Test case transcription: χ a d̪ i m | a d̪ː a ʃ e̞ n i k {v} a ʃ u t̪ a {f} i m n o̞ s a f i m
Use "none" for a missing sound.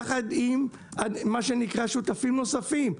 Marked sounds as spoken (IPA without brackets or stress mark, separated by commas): ʁ, f